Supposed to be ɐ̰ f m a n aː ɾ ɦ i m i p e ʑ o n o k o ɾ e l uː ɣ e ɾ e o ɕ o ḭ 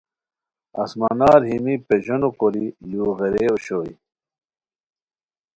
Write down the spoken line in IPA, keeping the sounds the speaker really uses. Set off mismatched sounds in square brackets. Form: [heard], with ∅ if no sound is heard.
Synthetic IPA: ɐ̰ [s] m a n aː ɾ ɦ i m i p e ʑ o n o k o ɾ [i] l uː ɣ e ɾ e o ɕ o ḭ